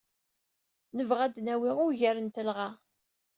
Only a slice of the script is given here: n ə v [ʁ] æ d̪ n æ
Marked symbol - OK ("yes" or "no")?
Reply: yes